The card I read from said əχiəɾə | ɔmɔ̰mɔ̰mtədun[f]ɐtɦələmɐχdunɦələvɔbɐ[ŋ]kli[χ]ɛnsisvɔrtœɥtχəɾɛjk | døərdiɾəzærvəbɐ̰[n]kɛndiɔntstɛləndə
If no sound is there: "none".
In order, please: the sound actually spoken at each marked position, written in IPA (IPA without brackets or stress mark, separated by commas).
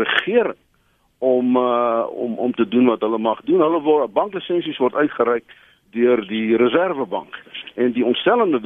v, ŋ, s, ŋ